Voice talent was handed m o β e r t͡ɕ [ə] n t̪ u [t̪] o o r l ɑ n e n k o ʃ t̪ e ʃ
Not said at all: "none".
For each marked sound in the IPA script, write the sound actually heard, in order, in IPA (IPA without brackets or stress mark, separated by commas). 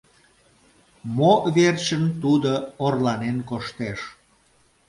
ə, d̪